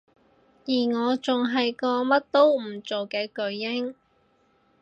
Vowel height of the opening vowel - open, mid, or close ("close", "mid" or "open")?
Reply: close